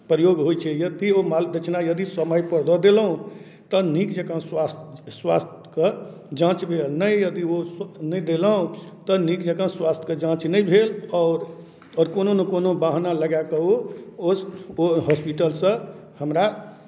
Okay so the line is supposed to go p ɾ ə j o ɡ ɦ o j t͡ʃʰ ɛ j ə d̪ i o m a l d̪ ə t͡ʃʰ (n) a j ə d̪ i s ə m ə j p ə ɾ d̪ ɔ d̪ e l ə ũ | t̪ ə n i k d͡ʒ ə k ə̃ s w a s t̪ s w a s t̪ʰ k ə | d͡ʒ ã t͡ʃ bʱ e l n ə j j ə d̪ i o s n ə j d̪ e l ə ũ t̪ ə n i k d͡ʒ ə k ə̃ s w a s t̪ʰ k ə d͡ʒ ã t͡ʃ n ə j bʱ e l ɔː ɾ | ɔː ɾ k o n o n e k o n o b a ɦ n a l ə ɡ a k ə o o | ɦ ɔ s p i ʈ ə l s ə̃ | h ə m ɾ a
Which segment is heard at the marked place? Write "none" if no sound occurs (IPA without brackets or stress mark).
n